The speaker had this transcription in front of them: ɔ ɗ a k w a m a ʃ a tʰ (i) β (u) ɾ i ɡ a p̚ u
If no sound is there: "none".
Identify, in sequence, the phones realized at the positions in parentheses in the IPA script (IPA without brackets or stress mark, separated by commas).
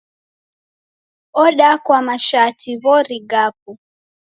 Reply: i, ɔ